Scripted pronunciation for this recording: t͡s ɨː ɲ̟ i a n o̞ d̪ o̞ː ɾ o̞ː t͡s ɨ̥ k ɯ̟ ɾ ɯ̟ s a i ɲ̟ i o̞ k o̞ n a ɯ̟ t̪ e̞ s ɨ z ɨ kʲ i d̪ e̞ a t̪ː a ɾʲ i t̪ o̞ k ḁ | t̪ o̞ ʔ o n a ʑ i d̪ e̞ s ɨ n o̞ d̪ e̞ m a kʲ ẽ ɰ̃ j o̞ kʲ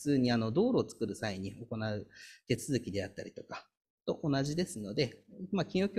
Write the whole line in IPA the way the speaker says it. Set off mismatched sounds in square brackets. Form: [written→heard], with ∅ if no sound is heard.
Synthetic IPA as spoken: t͡s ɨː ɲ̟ i a n o̞ d̪ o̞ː ɾ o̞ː t͡s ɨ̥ k ɯ̟ ɾ ɯ̟ s a i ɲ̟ i o̞ k o̞ n a ɯ̟ t̪ e̞ [s→t͡s] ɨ z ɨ kʲ i d̪ e̞ a t̪ː a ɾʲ i t̪ o̞ k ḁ | t̪ o̞ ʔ o n a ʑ i d̪ e̞ s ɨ n o̞ d̪ e̞ m a kʲ [ẽ→ĩ] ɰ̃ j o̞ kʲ